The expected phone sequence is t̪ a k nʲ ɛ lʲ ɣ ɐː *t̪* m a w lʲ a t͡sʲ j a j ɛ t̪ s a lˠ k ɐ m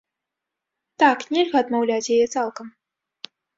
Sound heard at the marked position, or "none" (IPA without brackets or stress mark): d̪